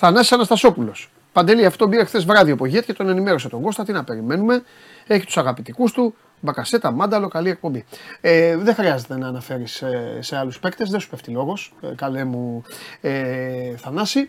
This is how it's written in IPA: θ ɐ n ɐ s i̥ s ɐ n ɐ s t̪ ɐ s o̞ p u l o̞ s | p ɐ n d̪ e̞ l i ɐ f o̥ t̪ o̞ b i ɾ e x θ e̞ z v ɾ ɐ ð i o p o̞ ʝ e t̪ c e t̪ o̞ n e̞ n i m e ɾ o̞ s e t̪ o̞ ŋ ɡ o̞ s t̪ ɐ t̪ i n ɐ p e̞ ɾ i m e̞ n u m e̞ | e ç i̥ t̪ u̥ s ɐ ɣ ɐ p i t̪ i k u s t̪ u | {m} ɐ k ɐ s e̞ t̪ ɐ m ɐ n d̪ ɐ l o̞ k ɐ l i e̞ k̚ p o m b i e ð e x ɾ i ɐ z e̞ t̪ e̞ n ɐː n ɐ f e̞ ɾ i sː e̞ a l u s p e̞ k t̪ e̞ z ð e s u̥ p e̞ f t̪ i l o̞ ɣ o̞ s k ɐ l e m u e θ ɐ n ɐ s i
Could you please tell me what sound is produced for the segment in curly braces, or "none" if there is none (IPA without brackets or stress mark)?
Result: b